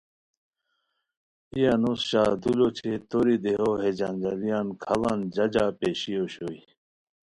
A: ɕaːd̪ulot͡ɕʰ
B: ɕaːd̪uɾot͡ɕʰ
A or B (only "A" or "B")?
A